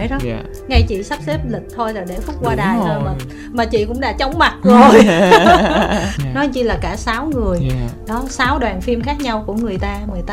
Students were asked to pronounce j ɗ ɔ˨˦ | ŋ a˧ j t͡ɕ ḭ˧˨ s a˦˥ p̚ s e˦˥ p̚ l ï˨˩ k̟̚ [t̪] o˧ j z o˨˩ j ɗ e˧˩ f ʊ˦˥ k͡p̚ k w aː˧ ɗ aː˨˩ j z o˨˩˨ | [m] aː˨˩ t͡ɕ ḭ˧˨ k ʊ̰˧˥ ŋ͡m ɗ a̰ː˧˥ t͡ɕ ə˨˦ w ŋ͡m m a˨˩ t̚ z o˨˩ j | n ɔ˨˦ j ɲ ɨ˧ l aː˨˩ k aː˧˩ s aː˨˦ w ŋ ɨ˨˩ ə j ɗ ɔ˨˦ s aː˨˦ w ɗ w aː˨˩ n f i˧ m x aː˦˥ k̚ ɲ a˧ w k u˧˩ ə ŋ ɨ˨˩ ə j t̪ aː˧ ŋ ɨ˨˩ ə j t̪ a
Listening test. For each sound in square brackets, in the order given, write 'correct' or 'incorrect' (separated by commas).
incorrect, correct